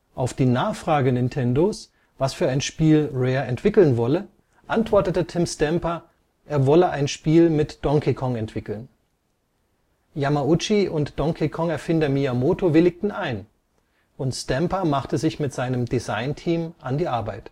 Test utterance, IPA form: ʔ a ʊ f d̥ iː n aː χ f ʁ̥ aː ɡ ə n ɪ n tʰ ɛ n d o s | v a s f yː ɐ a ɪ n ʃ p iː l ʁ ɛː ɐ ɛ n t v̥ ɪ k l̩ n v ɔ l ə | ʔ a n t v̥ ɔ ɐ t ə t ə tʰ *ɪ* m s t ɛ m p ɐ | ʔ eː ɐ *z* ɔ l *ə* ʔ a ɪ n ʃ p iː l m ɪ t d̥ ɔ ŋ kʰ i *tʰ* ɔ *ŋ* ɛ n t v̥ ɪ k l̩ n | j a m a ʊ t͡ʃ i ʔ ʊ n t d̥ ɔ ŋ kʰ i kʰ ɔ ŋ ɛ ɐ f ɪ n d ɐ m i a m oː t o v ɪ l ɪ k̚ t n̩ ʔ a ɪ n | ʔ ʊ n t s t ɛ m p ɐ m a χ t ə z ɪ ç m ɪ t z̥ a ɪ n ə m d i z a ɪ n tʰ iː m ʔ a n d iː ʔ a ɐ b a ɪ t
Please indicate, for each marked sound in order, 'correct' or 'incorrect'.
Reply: correct, incorrect: v, correct, incorrect: kʰ, correct

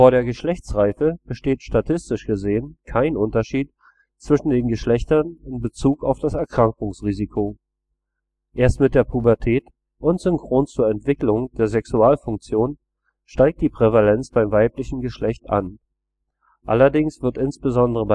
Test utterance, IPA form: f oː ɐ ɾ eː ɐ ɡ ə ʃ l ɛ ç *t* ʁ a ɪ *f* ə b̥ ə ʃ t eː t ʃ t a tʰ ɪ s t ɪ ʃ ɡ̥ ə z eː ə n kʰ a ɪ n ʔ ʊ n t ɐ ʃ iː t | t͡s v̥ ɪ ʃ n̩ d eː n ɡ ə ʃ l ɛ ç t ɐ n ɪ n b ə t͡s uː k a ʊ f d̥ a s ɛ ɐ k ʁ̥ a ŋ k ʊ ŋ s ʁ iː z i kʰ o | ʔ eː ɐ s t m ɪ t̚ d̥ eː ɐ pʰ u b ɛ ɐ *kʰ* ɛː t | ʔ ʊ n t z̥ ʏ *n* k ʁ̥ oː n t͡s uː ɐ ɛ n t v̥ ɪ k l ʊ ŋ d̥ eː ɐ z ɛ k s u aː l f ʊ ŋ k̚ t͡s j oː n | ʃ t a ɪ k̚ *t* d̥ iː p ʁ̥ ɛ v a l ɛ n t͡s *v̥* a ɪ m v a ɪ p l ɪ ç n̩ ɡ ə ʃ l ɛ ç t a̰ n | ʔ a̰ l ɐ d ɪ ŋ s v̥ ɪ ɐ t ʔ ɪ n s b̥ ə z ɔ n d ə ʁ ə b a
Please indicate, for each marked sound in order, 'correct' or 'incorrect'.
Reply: incorrect: t͡s, correct, incorrect: tʰ, incorrect: ŋ, correct, incorrect: b̥

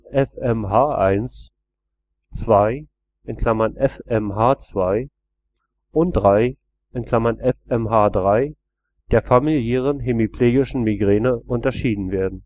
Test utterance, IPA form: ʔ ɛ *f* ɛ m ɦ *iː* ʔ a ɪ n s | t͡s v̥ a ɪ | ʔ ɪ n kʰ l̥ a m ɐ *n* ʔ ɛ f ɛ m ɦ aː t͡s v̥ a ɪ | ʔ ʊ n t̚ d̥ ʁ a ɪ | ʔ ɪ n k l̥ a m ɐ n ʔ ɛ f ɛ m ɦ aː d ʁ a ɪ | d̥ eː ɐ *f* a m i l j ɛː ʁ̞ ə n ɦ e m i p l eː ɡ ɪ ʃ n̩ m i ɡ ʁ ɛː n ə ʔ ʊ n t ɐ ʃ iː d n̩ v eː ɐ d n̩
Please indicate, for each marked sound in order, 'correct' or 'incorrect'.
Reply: correct, incorrect: aː, correct, correct

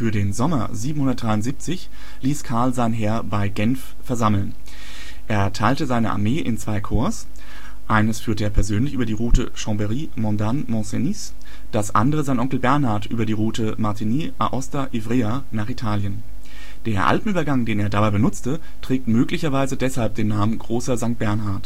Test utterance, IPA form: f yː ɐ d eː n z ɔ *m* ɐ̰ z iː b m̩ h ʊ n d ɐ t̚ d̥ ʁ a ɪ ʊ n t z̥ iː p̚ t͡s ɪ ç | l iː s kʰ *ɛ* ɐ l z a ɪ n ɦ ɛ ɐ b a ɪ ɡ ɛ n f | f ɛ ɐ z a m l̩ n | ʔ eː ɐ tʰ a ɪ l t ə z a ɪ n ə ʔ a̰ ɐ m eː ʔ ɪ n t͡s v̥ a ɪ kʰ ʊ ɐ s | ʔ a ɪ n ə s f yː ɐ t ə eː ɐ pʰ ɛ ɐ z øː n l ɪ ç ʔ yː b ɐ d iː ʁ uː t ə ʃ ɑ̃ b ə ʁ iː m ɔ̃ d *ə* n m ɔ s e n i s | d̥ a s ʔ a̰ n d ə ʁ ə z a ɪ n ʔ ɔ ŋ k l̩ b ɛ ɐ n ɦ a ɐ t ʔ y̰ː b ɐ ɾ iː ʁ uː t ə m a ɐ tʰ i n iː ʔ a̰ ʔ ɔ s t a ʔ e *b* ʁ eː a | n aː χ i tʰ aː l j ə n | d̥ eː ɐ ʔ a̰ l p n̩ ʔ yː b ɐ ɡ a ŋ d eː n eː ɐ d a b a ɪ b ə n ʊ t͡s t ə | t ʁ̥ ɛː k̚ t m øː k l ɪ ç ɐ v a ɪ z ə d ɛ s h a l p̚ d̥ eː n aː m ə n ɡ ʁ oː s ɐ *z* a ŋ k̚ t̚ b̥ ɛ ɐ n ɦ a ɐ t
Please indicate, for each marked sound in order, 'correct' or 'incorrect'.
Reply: correct, incorrect: a, incorrect: a, incorrect: v, correct

